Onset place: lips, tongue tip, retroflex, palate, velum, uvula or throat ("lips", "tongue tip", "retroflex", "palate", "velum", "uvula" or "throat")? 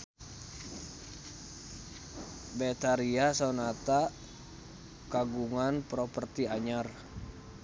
lips